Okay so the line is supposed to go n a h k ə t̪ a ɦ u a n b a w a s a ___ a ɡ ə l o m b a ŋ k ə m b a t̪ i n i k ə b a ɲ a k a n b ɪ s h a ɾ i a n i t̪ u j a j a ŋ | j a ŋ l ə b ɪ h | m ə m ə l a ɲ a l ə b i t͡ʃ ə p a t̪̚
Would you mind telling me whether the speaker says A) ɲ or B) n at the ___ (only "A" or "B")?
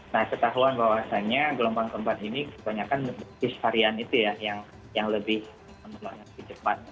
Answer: A